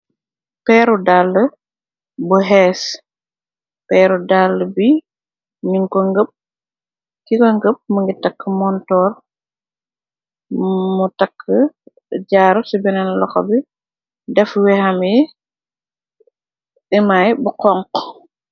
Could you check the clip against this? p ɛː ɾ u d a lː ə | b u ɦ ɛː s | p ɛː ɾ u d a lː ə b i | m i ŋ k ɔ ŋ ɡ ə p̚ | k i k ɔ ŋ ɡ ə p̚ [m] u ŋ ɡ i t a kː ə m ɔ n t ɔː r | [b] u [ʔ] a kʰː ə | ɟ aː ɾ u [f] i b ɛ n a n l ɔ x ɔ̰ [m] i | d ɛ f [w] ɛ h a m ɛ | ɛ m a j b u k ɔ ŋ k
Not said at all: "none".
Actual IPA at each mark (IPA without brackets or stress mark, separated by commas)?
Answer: m, m, t, s, b, w